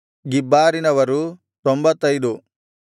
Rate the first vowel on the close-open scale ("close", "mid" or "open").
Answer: close